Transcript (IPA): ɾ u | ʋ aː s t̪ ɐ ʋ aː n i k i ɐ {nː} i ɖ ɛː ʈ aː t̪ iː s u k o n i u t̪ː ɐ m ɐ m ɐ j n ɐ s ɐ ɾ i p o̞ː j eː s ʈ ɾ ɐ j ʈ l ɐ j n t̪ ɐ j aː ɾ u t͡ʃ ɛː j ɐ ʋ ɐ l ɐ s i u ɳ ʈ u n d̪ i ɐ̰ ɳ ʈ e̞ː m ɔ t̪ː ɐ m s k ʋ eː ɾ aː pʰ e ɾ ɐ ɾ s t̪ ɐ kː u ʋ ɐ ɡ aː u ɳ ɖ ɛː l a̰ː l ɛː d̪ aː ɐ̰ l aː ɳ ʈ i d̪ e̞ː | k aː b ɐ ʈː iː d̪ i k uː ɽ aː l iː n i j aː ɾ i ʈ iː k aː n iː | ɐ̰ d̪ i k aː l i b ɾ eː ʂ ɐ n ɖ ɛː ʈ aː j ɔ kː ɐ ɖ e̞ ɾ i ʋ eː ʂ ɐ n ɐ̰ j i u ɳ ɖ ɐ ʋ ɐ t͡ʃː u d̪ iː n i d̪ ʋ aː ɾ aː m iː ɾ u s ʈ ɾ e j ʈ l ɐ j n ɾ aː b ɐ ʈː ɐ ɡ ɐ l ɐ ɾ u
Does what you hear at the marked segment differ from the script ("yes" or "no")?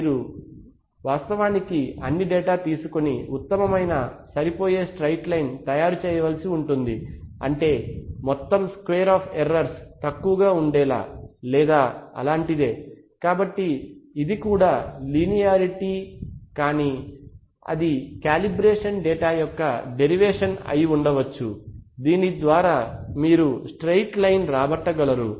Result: no